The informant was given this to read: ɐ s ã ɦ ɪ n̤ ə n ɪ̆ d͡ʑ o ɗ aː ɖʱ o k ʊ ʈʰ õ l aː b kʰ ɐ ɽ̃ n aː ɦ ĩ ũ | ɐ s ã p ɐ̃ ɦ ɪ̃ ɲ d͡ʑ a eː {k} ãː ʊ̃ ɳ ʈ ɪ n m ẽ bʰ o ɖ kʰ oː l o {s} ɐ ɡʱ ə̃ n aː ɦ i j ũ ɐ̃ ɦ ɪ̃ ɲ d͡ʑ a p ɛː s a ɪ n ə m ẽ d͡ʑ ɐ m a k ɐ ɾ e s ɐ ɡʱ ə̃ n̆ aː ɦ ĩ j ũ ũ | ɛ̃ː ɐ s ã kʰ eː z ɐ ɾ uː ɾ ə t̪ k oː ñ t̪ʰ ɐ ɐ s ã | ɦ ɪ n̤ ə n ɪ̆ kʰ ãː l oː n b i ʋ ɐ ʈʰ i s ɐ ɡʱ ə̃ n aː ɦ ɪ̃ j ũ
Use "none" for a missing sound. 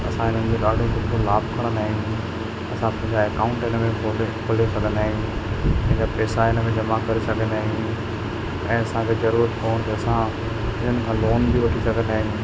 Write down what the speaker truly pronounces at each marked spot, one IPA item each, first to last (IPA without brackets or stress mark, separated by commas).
k, s